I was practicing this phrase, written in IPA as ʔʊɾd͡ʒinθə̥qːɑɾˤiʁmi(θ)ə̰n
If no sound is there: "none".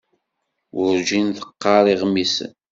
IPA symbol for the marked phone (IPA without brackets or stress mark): s